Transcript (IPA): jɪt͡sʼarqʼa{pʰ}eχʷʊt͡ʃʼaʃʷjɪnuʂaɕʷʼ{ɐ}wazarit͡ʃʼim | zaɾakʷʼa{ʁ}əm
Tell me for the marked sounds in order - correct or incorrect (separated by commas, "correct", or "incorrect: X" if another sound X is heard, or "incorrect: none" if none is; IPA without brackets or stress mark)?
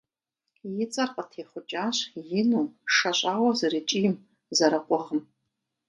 incorrect: tʰ, incorrect: a, correct